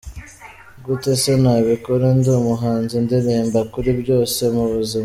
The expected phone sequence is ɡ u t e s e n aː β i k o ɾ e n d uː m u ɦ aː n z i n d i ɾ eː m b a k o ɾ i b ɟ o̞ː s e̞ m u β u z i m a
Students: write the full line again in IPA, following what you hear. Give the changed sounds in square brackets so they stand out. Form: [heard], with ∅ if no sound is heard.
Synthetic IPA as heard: ɡ u t e s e n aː β i k o ɾ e n d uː m u ɦ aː n z i n d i ɾ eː m b a k [u] ɾ i b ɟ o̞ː s e̞ m u β u z i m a